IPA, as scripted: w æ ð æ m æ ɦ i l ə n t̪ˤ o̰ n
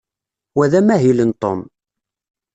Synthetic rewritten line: w æ ð æ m æ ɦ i l ə n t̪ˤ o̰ m